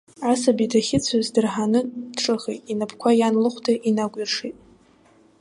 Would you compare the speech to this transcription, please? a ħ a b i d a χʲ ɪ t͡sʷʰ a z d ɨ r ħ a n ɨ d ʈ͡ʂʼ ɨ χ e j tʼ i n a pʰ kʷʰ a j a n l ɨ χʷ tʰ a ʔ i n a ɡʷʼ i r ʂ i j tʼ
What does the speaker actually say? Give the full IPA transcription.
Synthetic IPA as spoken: a s a b i d a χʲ ɪ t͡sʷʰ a z d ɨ r ħ a n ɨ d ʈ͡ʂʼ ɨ χ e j tʼ i n a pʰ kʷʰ a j a n l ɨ χʷ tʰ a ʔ i n a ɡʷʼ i r ʂ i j tʼ